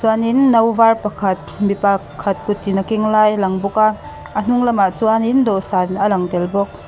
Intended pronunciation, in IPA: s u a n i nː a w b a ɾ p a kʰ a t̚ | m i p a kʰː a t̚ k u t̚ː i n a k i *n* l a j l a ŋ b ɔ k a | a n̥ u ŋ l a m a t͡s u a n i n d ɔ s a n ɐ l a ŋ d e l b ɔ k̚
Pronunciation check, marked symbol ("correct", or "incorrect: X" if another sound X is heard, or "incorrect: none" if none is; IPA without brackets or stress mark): incorrect: ŋ